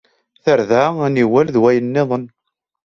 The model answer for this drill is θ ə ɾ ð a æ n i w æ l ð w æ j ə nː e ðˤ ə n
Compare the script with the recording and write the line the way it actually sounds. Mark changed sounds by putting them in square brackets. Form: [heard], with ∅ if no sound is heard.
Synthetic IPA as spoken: θ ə ɾ ð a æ n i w æ l ð w æ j ə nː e ðˤ ə n